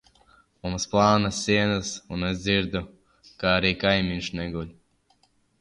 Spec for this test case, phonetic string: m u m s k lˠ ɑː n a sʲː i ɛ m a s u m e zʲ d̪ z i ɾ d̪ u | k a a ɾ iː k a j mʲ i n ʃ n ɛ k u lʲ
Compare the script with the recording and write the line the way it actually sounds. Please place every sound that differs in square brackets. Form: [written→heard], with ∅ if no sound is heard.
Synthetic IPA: m u m s [k→p] lˠ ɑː n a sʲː i ɛ [m→n] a s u [m→n] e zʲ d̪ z i ɾ d̪ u | k a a ɾ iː k a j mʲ i n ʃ n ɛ [k→ɡ] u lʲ